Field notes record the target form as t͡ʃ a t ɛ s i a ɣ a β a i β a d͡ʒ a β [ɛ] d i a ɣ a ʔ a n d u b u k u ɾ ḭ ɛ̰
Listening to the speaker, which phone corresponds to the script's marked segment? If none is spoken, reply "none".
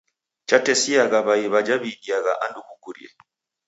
i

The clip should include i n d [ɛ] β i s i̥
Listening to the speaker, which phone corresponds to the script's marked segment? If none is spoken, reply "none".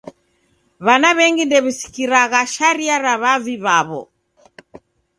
ɛ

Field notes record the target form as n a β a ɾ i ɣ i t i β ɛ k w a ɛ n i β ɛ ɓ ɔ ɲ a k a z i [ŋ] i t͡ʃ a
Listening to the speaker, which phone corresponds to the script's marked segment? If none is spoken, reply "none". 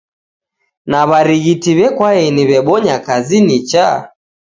n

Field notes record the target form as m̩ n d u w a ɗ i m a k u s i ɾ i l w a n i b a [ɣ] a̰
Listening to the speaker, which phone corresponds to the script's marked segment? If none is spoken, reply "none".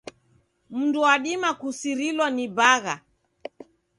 ɣ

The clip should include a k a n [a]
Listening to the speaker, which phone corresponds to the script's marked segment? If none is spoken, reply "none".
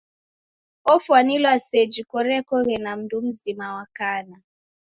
a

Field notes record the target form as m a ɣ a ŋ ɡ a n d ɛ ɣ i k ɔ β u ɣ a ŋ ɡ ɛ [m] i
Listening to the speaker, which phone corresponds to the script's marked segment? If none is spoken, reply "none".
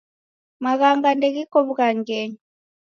ɲ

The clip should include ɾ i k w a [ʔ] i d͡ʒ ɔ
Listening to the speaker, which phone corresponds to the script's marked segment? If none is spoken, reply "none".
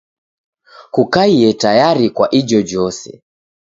ʔ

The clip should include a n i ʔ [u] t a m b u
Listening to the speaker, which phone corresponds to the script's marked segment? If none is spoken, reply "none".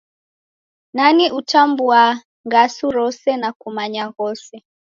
u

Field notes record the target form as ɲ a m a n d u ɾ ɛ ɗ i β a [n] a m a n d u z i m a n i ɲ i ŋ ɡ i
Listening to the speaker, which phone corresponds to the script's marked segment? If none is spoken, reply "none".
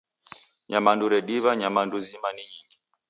ɲ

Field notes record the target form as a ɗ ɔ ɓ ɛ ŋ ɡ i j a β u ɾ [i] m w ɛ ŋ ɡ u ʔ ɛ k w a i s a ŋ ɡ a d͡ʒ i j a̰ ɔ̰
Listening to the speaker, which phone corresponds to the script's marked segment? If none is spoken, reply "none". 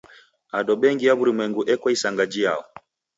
i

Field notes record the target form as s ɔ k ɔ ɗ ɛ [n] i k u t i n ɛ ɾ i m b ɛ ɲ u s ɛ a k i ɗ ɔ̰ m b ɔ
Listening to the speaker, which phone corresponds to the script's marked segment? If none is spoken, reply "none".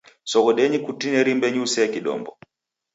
ɲ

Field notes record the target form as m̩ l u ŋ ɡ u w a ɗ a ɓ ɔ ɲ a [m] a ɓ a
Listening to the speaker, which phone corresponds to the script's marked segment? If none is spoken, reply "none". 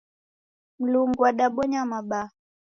m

